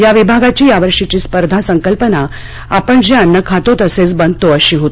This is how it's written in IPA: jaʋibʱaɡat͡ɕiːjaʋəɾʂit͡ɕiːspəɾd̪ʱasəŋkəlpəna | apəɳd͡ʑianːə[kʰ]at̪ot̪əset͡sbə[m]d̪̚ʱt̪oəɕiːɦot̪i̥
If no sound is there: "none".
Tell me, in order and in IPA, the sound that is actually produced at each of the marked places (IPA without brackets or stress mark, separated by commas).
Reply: kʰ, n